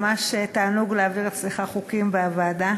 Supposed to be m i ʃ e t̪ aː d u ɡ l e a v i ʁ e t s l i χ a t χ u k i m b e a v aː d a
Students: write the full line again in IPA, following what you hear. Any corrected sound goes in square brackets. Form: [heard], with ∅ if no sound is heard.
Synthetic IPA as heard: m [a] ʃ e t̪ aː [n] u ɡ l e a v i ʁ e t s l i χ a [∅] χ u k i m b e a v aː d a